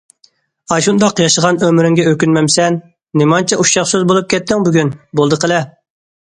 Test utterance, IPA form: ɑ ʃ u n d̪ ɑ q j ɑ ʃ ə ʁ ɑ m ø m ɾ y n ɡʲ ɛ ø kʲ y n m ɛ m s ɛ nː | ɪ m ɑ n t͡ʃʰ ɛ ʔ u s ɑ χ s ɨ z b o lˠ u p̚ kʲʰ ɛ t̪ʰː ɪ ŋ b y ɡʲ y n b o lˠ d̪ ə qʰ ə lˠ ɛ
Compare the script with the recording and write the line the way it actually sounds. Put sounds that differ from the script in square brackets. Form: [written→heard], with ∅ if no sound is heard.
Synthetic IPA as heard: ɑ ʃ u n d̪ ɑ q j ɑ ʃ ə ʁ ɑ [m→n] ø m ɾ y [n→ŋ] ɡʲ ɛ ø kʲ y n m ɛ m s ɛ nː | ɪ m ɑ n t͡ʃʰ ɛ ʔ u [s→ʃ] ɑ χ s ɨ z b o lˠ u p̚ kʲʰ ɛ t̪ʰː ɪ ŋ b y ɡʲ y n b o lˠ d̪ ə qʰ ə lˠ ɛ

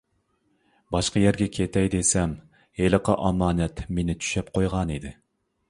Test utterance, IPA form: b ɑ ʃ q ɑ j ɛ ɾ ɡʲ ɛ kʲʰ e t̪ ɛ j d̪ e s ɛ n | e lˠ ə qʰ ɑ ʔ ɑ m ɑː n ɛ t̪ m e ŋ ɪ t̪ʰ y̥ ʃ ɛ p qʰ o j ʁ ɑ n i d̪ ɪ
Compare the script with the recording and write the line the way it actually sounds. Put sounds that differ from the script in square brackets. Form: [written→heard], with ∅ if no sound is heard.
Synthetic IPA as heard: b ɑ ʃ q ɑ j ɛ ɾ ɡʲ ɛ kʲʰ e t̪ ɛ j d̪ e s ɛ [n→m] | e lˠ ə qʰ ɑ ʔ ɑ m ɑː n ɛ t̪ m e [ŋ→n] ɪ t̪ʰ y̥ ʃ ɛ p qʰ o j ʁ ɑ n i d̪ ɪ

